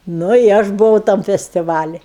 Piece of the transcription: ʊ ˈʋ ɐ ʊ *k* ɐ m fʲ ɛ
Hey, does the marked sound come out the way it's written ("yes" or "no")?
no